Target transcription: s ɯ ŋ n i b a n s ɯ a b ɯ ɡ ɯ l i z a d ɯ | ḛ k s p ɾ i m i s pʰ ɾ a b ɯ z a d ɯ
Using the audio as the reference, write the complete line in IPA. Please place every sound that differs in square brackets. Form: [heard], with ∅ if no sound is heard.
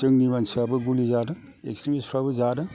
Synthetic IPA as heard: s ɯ ŋ n i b a n s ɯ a b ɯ ɡ [u] l i z a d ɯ | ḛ k s [t] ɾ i m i s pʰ ɾ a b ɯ z a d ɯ